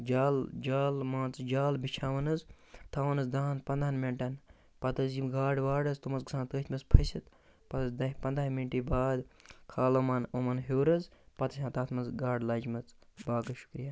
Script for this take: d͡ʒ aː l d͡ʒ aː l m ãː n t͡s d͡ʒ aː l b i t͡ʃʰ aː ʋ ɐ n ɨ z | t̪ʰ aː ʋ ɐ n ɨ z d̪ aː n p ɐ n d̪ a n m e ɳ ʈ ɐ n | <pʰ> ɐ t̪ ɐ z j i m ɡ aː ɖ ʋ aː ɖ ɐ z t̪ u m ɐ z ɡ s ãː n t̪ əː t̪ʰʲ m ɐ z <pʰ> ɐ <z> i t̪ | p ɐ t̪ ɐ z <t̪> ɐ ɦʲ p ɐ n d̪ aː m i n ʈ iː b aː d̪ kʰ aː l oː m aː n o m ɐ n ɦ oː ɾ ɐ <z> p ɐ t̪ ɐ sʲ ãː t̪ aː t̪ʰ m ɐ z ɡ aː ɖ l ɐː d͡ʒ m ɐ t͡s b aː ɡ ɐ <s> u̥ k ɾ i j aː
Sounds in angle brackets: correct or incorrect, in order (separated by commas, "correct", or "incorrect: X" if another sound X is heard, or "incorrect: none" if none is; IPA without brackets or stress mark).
incorrect: p, correct, incorrect: s, incorrect: d̪, correct, incorrect: ʃ